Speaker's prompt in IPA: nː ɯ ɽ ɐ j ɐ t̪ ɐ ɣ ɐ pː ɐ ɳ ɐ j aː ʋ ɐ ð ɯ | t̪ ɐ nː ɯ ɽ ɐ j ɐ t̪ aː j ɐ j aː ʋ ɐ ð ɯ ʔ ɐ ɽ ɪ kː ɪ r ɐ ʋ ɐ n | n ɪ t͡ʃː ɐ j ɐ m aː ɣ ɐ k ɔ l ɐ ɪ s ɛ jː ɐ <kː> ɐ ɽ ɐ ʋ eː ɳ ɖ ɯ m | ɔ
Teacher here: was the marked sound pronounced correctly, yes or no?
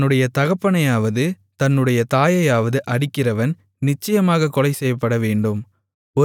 no